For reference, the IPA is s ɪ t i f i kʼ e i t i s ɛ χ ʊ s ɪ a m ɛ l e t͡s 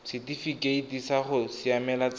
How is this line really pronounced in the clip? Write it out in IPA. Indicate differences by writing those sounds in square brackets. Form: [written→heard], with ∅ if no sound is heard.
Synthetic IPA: s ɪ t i f i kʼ e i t i s [ɛ→a] χ ʊ s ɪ a m ɛ l [e→a] t͡s